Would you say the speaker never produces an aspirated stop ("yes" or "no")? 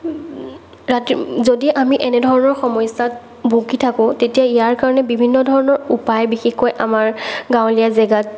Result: no